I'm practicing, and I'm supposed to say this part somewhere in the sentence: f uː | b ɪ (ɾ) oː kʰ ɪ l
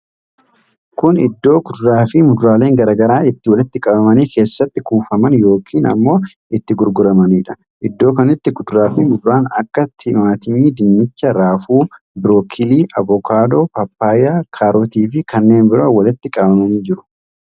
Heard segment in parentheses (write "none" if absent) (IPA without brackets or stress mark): ɾ